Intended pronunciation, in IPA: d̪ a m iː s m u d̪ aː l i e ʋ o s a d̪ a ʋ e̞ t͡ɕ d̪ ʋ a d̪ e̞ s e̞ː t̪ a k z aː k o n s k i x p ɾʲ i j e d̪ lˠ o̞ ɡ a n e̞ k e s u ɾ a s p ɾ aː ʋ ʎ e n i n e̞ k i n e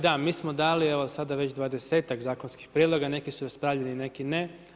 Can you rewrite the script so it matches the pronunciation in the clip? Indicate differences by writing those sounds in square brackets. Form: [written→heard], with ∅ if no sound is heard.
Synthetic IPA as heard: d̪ a m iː s m [u→o] d̪ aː l i e ʋ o s a d̪ a ʋ e̞ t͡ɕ d̪ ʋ a d̪ e̞ s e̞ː t̪ a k z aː k o n s k i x p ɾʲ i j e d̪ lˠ o̞ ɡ a n e̞ k [e→i] s u ɾ a s p ɾ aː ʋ ʎ e n i n e̞ k i n e